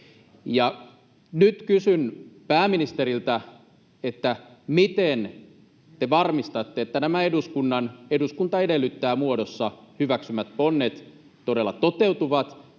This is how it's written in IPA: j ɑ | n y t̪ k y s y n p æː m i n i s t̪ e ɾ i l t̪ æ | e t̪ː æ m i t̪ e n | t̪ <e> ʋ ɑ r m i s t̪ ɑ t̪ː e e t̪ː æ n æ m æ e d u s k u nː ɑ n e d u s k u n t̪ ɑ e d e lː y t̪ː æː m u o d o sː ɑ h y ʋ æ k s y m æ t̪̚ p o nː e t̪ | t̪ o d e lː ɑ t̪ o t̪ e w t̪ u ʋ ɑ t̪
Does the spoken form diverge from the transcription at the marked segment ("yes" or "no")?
no